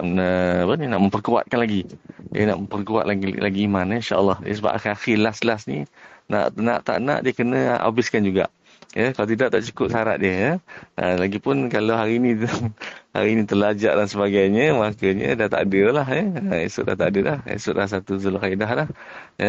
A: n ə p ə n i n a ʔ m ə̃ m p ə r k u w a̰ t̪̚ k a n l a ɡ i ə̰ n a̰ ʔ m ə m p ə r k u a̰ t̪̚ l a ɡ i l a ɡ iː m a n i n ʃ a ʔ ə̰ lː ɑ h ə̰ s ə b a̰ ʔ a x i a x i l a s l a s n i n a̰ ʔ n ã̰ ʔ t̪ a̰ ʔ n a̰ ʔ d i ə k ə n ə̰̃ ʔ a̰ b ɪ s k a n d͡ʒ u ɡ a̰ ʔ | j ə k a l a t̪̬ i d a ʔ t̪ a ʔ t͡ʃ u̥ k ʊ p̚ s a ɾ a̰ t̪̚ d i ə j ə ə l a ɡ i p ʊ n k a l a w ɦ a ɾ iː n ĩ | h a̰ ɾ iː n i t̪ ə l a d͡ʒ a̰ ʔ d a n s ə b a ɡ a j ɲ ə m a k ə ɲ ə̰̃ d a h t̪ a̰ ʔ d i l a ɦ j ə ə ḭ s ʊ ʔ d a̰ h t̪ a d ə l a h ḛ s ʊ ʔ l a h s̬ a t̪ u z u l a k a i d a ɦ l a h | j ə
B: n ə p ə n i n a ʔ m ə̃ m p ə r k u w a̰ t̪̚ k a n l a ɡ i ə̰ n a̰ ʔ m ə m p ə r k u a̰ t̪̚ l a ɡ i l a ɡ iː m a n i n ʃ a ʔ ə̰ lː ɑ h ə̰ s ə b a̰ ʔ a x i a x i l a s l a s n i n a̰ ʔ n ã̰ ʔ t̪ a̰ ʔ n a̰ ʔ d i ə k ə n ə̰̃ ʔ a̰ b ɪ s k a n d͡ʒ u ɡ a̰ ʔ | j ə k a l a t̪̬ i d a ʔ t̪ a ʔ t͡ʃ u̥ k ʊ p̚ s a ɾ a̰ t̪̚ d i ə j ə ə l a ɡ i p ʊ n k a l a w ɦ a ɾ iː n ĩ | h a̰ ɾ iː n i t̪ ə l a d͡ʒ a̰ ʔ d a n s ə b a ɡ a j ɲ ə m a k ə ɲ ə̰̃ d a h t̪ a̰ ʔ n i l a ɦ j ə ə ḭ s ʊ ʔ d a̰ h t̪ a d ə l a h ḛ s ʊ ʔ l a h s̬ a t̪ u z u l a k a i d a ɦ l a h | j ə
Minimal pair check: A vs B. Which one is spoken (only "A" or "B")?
A